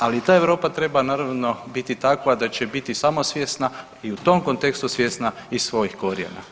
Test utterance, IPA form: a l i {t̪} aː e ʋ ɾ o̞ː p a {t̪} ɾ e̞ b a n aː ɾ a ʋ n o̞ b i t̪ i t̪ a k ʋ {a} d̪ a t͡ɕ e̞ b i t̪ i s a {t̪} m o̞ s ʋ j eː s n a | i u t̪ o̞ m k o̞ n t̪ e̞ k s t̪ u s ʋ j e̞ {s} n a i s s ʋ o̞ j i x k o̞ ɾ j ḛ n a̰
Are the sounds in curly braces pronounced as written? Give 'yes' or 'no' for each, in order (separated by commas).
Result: yes, yes, yes, no, yes